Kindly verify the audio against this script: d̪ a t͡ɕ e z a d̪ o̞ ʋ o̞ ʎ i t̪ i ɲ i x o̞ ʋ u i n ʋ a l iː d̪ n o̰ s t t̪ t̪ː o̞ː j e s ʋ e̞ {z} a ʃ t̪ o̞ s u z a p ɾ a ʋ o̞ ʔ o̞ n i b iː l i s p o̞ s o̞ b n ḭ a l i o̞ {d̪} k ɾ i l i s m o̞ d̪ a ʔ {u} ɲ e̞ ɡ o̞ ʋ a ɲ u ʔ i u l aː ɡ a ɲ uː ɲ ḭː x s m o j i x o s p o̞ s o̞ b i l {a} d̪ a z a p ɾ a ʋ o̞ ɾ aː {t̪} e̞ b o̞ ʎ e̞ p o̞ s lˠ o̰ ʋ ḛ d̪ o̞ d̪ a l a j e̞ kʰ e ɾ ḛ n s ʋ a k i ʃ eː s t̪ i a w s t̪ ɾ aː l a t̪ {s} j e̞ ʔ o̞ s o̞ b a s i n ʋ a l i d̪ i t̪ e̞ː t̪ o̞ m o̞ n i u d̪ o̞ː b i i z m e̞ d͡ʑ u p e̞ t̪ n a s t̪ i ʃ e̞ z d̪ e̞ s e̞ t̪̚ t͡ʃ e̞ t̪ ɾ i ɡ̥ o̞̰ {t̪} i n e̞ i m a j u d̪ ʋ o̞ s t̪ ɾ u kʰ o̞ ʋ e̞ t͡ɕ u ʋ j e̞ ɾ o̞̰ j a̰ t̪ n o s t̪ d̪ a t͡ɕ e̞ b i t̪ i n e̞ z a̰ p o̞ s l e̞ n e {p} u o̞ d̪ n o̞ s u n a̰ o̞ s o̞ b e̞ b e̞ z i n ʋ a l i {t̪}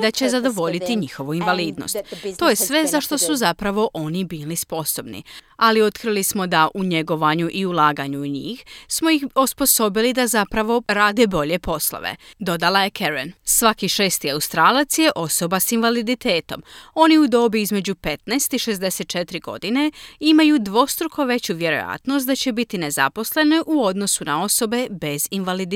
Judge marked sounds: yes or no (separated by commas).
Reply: yes, no, yes, no, no, yes, no, no, no